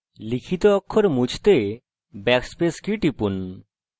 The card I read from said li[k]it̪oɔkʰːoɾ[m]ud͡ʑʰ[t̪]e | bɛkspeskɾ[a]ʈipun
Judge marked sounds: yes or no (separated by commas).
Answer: no, yes, yes, no